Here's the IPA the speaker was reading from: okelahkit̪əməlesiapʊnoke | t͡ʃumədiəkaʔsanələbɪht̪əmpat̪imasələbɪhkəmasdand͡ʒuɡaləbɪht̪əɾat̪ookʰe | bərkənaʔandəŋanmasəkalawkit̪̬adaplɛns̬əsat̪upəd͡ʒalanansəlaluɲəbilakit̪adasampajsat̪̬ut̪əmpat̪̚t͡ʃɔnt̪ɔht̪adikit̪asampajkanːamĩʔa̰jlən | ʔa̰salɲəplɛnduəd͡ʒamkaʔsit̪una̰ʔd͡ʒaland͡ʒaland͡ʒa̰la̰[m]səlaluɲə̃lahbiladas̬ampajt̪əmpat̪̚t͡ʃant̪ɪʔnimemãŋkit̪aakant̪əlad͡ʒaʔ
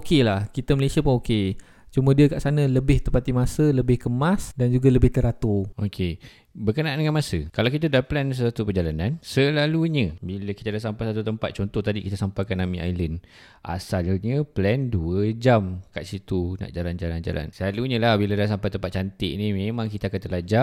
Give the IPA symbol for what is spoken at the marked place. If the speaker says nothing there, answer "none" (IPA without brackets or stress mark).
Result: n